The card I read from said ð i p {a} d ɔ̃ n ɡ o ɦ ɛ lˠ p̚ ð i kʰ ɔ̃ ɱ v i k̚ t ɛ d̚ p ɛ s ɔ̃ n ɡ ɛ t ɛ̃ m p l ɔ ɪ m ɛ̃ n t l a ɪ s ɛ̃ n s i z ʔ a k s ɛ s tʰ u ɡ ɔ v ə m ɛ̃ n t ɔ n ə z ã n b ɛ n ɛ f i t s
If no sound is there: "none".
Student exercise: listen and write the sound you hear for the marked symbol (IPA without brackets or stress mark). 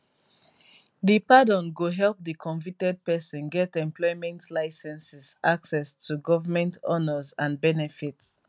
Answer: a